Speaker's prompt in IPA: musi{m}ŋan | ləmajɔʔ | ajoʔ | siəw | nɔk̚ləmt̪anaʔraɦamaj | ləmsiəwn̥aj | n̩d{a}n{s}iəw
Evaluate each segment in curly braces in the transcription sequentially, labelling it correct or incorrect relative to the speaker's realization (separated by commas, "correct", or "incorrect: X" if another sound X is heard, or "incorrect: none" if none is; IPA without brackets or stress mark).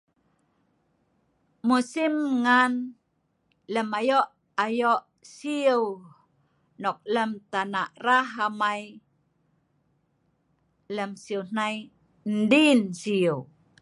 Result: correct, incorrect: i, correct